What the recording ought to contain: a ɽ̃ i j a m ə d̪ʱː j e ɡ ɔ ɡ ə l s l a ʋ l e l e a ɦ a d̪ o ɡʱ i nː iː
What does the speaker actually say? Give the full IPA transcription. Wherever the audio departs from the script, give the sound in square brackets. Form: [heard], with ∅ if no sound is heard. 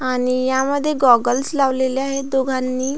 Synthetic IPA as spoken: a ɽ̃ i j a m ə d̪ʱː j e ɡ ɔ ɡ ə l s l a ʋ l e l e a ɦ [e] d̪ o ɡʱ [a] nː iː